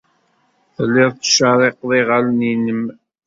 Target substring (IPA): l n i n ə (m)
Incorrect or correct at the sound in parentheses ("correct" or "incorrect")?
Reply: correct